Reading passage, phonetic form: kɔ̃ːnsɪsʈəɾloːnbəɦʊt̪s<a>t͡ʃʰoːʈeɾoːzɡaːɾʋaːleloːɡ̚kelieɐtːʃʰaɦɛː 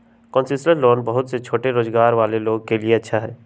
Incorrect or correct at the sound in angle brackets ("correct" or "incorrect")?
incorrect